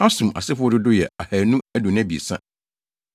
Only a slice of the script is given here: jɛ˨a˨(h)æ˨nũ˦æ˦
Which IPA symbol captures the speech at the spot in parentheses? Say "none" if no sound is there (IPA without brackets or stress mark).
h